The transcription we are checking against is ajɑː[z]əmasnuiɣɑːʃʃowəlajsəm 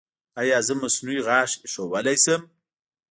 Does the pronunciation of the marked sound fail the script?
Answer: no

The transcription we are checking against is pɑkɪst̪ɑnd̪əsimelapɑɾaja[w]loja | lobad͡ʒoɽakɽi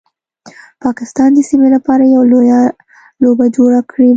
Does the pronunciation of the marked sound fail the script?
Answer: no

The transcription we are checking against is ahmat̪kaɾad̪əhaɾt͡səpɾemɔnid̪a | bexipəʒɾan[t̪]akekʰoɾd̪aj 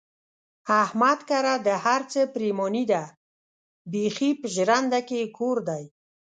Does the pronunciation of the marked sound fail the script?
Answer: yes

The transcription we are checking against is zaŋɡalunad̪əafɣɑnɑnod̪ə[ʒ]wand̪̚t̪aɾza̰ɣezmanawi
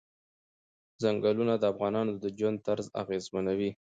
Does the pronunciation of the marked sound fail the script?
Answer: yes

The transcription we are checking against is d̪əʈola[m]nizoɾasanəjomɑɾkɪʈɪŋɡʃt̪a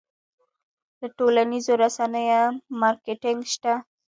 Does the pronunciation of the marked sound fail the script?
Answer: yes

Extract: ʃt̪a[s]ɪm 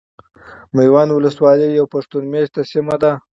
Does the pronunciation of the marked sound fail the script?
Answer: no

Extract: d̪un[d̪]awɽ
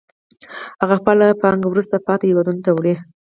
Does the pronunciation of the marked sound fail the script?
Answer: yes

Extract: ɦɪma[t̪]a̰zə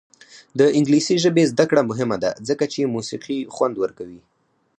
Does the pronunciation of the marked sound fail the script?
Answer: yes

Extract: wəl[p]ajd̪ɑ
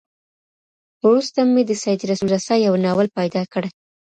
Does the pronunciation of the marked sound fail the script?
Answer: no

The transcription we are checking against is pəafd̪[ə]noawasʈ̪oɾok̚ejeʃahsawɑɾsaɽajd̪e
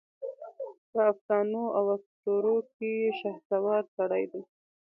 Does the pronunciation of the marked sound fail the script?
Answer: yes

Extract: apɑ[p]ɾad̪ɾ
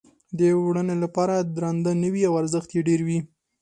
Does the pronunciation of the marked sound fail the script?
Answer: yes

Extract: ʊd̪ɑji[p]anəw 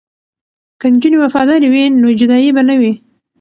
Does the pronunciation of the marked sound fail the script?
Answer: yes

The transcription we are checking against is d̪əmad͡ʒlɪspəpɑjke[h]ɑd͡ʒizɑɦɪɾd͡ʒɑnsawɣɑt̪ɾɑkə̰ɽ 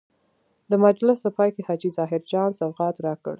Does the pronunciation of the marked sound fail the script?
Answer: no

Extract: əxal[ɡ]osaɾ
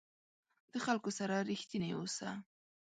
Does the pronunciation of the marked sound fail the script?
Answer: yes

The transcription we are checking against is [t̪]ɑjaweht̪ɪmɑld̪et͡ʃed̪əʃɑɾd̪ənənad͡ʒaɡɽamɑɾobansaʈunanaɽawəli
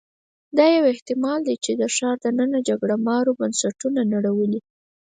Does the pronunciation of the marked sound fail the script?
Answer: yes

